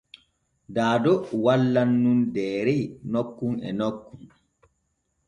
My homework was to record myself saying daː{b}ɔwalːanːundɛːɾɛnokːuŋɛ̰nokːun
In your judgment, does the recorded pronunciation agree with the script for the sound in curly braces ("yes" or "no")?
no